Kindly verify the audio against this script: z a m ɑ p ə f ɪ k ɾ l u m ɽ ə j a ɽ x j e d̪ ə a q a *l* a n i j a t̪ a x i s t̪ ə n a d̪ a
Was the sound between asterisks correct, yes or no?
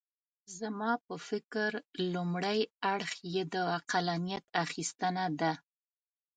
yes